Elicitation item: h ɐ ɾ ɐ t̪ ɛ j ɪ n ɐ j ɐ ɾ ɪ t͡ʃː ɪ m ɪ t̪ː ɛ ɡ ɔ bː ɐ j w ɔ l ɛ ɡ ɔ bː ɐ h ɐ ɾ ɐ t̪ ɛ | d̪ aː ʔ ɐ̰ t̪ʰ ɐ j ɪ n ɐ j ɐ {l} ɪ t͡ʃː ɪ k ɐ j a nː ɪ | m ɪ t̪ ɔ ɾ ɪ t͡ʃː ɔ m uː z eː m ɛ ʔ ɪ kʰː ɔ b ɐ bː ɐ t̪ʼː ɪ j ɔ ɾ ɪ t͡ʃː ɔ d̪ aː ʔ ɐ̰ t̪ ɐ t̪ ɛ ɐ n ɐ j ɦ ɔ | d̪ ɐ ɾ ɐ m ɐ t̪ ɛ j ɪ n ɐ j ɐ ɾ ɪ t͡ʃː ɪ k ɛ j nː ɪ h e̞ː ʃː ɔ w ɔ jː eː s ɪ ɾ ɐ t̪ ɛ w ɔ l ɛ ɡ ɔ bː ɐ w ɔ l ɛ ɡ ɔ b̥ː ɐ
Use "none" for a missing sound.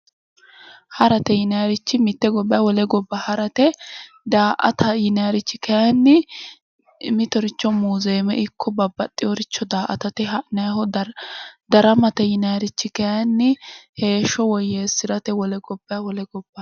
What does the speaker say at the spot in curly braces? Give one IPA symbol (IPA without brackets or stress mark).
ɾ